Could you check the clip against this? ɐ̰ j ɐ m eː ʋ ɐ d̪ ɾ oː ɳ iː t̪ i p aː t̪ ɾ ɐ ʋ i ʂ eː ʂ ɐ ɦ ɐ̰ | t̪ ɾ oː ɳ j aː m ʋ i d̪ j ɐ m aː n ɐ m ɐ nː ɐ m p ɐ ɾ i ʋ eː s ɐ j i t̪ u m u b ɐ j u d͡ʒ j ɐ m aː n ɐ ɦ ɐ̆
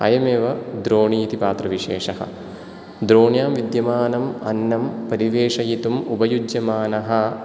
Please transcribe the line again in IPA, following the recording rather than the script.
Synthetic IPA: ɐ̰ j ɐ m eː ʋ ɐ d̪ ɾ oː ɳ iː t̪ i p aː t̪ ɾ ɐ ʋ i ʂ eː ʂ ɐ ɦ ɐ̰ | d̪ ɾ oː ɳ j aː m ʋ i d̪ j ɐ m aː n ɐ m ɐ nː ɐ m p ɐ ɾ i ʋ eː ʂ ɐ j i t̪ u m u b ɐ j u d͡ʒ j ɐ m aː n ɐ ɦ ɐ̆